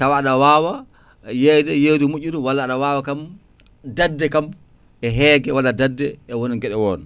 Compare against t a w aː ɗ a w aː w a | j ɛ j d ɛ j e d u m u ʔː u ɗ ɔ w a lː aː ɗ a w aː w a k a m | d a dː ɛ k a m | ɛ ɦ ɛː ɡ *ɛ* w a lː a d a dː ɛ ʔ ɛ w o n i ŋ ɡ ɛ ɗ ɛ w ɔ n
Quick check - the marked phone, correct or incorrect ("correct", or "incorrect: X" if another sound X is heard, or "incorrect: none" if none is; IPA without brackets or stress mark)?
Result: correct